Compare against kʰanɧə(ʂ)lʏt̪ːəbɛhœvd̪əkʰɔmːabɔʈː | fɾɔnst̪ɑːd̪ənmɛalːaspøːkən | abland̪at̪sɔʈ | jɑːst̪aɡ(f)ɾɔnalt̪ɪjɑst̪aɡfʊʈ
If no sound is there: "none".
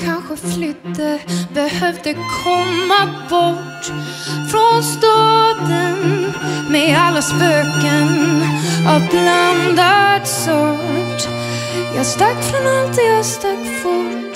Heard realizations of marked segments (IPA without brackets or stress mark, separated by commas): f, f